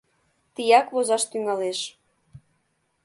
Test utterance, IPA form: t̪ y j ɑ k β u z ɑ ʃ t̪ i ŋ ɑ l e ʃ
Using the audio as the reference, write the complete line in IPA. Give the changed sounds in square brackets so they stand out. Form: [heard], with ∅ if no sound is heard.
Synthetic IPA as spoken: t̪ [i] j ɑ k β [o] z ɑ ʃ t̪ [y] ŋ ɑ l e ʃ